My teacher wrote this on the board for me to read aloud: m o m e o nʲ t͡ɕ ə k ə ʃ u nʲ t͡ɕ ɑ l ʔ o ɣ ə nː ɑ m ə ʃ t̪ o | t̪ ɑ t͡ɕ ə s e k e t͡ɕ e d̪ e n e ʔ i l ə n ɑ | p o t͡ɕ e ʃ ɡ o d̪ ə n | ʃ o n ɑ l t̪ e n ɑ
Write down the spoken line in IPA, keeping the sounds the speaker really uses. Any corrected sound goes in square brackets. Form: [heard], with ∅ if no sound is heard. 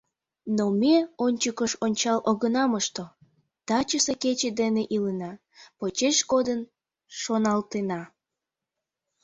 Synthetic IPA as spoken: [n] o m e o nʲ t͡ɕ ə k ə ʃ [o] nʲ t͡ɕ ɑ l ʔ o ɣ ə [n] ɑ m ə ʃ t̪ o | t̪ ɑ t͡ɕ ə s e k e t͡ɕ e d̪ e n e ʔ i l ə n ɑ | p o t͡ɕ e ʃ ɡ o d̪ ə n | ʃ o n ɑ l t̪ e n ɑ